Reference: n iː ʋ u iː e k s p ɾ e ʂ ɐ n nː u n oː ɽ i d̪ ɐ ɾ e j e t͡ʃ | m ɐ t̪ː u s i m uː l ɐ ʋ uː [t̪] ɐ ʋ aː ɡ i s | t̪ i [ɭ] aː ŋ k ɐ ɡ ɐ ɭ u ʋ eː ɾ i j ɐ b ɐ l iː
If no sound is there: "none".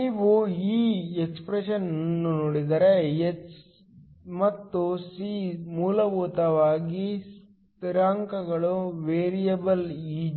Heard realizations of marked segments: t̪, ɾ

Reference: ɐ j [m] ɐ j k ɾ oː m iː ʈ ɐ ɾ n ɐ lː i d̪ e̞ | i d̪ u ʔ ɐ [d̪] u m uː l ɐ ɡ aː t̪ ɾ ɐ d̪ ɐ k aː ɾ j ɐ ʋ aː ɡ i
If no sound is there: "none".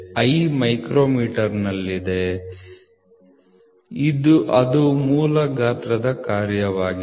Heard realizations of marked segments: m, d̪

